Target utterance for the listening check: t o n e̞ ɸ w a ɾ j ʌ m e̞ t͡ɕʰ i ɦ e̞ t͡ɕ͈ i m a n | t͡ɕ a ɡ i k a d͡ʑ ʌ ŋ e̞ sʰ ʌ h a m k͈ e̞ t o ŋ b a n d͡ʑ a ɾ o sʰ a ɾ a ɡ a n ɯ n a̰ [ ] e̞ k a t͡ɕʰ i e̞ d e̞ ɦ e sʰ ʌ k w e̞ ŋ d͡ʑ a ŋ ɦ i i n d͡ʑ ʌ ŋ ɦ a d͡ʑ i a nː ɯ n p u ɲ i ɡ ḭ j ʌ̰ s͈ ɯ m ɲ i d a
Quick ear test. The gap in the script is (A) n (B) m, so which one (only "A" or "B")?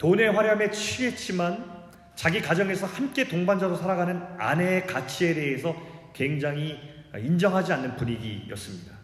A